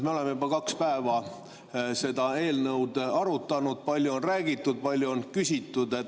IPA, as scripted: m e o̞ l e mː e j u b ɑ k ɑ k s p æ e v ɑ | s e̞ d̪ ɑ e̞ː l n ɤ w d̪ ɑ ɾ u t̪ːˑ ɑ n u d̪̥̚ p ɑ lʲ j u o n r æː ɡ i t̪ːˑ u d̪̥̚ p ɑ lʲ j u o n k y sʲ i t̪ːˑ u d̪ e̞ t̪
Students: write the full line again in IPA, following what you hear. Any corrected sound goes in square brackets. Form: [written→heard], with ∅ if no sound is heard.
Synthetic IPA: m e o̞ l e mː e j u b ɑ k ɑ k s p æ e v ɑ | s e̞ d̪ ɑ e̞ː l n ɤ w d̪ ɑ ɾ u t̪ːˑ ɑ n u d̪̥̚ p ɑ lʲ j u o n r æː ɡ i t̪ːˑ u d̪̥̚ p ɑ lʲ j u o n k y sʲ i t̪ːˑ u d̪ e̞ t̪